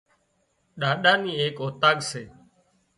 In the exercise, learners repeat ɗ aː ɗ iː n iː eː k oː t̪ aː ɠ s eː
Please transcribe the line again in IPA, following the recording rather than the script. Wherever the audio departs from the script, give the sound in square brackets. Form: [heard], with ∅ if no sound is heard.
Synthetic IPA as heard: ɗ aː ɗ [aː] n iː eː k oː t̪ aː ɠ s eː